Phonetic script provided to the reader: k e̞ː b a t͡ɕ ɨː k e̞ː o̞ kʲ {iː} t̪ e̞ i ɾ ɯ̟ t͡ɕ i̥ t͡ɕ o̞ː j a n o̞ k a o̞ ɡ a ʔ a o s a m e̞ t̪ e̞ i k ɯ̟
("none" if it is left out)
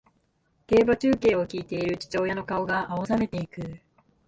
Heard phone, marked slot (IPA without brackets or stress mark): iː